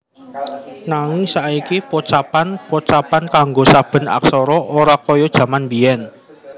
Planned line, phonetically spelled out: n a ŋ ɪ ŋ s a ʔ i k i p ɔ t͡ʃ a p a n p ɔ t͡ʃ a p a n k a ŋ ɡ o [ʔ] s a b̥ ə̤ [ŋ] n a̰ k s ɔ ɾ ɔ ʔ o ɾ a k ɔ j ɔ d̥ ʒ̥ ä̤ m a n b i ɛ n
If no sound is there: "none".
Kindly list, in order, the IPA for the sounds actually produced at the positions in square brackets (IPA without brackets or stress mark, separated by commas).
none, none